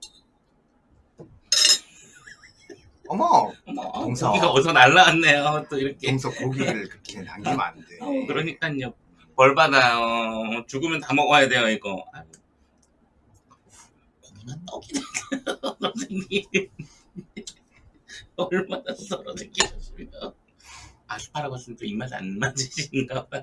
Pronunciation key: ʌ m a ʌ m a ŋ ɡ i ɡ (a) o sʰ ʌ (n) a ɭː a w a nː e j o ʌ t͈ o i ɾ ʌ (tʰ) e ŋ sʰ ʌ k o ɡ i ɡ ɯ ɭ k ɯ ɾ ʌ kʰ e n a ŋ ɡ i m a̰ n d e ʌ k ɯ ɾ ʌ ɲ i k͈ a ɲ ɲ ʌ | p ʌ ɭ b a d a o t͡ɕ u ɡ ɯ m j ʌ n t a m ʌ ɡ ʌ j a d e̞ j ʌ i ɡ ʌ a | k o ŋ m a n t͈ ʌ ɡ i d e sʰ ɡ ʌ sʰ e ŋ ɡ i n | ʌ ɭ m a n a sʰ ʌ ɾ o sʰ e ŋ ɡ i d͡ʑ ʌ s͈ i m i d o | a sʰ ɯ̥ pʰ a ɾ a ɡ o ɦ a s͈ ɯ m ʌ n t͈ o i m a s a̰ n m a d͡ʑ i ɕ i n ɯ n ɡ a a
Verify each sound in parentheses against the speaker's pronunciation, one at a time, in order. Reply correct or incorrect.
correct, correct, incorrect

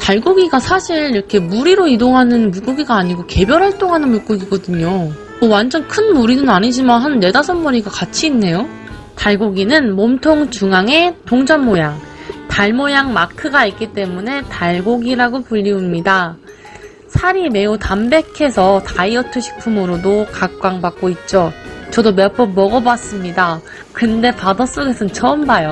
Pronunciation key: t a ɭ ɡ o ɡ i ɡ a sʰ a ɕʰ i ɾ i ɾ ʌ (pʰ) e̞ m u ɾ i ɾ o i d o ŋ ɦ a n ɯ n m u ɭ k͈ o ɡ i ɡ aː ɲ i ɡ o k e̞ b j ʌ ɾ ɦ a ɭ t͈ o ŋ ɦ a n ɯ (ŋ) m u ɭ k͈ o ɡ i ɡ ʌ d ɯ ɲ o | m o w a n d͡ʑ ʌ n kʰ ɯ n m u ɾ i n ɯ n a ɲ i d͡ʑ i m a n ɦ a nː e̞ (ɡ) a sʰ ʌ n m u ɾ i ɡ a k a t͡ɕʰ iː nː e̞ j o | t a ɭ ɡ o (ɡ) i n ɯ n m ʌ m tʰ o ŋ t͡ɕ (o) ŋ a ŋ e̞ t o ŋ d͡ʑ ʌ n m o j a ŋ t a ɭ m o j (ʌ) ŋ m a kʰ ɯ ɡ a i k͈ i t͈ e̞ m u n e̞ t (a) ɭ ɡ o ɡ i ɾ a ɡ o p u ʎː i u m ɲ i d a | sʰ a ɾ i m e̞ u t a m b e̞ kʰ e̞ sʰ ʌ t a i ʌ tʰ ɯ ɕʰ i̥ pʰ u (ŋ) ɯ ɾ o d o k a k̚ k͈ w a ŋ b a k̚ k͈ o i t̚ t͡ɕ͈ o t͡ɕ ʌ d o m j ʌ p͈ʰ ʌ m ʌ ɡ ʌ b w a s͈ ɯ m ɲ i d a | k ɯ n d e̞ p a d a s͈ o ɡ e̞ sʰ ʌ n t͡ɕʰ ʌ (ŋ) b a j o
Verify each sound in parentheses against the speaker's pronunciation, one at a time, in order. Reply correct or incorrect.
incorrect, incorrect, incorrect, correct, incorrect, incorrect, correct, incorrect, incorrect

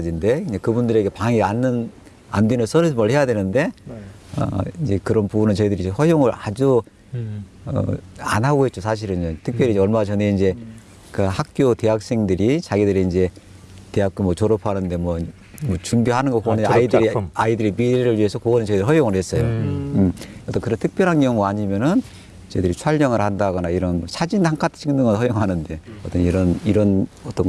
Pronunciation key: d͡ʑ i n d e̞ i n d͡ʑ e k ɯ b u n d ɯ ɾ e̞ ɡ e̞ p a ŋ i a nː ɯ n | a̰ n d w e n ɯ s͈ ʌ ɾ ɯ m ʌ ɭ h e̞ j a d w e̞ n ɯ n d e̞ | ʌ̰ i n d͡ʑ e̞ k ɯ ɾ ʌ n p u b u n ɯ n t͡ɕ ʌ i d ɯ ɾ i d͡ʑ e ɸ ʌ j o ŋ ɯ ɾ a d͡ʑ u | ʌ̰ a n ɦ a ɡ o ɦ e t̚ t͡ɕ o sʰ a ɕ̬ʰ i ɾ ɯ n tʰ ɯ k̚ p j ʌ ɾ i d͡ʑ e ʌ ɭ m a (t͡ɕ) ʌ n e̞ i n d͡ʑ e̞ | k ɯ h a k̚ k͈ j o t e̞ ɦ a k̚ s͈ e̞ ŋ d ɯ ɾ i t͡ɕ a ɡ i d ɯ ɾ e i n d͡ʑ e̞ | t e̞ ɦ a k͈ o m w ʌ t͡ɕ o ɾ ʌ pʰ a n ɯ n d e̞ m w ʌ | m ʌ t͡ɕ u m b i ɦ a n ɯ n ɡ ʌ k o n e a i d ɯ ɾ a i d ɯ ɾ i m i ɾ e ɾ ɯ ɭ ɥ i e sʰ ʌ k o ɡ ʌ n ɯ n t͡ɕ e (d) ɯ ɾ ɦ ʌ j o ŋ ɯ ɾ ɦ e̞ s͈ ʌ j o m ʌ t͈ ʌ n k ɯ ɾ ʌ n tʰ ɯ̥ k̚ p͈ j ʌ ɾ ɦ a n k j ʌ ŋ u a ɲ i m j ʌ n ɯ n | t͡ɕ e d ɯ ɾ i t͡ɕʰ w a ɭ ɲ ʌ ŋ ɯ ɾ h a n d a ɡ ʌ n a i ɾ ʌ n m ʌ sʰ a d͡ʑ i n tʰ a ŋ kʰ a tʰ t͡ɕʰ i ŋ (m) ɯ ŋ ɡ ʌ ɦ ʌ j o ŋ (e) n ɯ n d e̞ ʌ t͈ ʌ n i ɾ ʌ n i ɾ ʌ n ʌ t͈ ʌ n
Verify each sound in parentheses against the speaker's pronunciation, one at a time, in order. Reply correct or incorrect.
correct, correct, incorrect, incorrect

